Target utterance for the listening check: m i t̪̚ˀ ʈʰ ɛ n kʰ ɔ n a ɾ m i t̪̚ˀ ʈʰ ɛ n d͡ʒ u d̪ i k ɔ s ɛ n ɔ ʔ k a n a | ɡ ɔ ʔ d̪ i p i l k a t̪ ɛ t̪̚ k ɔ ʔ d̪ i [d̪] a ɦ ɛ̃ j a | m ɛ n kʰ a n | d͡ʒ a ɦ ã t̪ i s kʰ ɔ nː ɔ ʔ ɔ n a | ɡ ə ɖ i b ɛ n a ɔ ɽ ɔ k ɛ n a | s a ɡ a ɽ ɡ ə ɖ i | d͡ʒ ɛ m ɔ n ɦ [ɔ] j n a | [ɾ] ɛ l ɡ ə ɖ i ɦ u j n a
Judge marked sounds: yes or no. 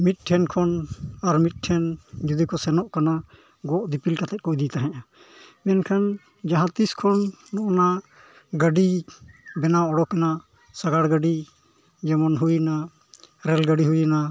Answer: no, no, yes

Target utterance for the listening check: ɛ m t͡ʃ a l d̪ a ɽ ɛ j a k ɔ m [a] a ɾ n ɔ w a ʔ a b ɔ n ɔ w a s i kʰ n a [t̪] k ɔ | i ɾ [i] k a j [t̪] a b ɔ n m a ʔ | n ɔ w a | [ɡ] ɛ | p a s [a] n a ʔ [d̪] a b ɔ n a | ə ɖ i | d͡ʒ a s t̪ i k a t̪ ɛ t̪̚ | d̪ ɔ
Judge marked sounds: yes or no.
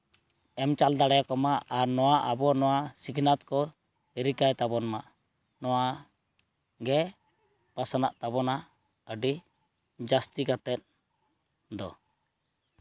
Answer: yes, yes, yes, yes, yes, yes, no

